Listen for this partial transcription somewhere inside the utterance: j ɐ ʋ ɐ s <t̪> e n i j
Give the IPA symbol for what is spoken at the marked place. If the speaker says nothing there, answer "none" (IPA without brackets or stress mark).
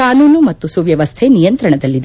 t̪ʰ